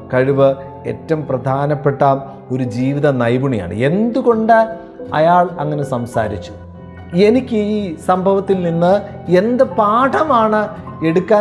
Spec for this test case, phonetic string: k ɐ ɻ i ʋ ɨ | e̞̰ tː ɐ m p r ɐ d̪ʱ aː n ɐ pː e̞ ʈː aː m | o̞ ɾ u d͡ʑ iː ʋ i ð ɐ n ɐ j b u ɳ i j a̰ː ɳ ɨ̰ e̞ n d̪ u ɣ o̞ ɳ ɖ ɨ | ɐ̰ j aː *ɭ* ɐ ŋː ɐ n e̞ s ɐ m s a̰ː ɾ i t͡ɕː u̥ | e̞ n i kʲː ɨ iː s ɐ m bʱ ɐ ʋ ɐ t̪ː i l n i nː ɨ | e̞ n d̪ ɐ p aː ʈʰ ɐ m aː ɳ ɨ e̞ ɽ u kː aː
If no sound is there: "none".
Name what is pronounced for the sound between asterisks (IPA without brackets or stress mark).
ɭ